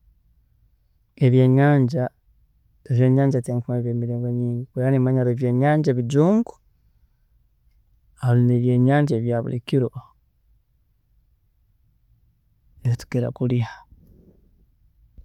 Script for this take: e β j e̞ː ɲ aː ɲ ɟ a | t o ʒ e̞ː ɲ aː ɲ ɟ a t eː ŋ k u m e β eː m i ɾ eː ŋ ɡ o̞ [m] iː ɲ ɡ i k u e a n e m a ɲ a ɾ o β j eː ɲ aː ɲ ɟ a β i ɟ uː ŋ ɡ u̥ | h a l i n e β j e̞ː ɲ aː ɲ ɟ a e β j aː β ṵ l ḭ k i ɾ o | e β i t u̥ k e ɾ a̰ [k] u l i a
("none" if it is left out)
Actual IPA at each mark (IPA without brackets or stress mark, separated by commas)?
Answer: ɲ, k